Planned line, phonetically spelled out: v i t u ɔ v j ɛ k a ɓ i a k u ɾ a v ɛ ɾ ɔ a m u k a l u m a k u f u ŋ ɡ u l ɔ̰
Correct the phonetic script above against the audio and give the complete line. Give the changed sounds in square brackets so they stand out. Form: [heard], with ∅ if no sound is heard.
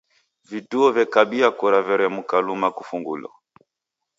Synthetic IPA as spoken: v i t u ɔ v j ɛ k a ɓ i a k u ɾ a v ɛ ɾ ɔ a m u k a l u m a k u f u ŋ ɡ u l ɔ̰